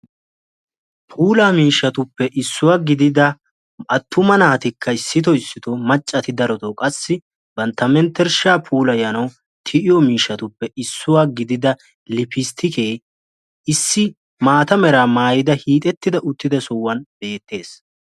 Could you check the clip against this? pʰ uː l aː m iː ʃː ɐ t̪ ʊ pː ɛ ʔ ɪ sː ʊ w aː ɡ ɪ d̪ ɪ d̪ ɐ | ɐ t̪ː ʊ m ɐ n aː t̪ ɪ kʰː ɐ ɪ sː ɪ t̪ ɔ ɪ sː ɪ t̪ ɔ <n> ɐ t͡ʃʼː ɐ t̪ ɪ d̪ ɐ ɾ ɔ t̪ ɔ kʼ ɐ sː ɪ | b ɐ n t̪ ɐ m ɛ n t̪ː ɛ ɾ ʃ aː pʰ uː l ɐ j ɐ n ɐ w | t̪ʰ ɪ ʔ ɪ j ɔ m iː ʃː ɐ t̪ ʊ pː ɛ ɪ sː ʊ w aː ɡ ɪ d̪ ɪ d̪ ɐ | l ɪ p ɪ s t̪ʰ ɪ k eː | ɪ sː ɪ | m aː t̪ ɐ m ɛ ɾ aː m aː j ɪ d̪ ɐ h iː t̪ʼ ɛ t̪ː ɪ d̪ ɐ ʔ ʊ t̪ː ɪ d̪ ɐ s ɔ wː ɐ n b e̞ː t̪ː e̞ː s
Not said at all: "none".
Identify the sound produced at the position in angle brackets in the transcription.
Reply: m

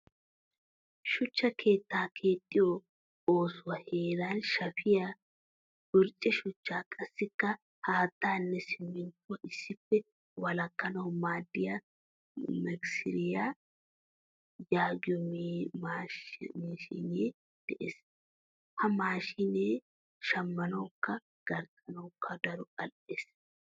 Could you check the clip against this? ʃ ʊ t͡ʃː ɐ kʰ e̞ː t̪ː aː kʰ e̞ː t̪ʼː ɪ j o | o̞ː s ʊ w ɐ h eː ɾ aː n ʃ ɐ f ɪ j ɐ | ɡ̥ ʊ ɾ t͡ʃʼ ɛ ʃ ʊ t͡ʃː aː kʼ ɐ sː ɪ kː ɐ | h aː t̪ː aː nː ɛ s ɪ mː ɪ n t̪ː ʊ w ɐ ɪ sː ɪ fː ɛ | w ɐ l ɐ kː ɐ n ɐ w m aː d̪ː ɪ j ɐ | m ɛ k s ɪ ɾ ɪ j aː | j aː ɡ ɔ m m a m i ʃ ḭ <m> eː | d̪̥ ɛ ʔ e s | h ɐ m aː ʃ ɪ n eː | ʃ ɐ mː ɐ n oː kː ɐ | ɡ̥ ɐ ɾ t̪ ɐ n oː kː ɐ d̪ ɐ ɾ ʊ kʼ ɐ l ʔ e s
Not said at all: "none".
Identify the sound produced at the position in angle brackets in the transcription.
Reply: n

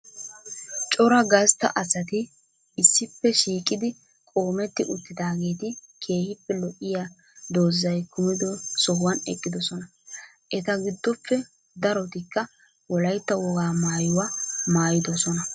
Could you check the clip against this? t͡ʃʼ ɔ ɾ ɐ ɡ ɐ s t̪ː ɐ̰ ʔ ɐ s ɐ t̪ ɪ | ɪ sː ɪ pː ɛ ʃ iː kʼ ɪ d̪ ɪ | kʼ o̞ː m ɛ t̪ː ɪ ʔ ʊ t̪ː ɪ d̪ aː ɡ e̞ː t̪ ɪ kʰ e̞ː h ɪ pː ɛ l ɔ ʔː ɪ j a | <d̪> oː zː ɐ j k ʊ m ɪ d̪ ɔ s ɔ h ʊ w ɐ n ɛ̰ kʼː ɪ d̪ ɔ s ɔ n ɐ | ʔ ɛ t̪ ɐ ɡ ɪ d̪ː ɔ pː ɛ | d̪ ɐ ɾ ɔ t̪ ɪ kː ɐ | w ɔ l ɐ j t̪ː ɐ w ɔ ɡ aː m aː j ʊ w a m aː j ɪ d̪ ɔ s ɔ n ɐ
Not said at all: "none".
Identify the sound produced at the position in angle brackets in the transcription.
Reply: d̪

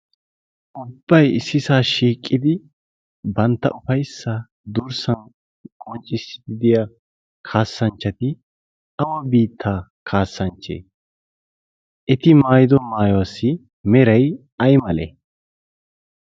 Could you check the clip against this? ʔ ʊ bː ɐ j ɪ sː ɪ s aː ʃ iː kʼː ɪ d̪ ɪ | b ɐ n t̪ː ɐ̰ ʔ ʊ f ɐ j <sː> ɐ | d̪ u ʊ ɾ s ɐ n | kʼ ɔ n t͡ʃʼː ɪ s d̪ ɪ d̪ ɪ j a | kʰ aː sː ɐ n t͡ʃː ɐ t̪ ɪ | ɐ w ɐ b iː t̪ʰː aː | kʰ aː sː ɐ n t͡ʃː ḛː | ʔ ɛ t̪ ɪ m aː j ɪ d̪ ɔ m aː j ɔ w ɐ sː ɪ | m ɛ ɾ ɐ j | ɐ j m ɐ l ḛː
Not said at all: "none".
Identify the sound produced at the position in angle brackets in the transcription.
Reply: sː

